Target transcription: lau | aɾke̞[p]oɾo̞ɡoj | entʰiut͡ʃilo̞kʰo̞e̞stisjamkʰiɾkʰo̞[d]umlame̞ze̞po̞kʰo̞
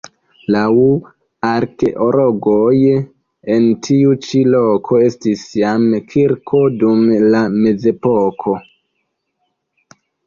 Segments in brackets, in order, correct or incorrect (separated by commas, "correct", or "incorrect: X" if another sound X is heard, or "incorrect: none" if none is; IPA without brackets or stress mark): incorrect: ʔ, correct